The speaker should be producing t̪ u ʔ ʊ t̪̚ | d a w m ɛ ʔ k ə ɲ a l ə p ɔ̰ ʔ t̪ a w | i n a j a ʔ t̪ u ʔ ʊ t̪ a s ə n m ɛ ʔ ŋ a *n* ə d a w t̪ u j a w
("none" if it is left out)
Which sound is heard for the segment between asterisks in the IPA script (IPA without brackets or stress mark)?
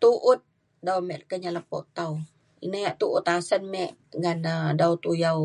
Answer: n